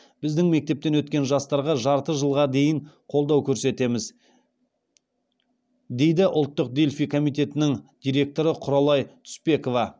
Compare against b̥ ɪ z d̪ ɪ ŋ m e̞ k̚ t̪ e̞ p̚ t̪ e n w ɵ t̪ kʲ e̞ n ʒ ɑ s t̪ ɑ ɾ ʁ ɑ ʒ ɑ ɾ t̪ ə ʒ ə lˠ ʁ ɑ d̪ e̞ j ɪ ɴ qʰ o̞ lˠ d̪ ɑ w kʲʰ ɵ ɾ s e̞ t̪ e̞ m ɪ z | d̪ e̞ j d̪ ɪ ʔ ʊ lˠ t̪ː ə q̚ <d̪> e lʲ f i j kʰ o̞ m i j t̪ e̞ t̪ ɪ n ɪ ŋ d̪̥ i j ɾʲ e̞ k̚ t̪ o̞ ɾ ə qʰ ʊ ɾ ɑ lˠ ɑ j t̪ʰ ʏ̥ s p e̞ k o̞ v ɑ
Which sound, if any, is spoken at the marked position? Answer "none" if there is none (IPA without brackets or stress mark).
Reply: d̪